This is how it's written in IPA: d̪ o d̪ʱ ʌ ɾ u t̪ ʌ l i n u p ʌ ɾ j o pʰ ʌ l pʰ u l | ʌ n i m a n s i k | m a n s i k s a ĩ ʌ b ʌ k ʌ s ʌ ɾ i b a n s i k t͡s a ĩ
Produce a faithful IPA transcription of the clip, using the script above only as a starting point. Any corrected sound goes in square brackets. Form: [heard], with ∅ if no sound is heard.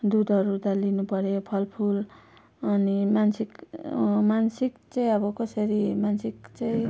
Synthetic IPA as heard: d̪ [u] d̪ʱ ʌ ɾ u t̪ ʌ l i n u p ʌ ɾ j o pʰ ʌ l pʰ u l | ʌ n i m a n s i k | m a n s i k [t͡s] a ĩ ʌ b ʌ k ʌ s ʌ ɾ i [m] a n s i k t͡s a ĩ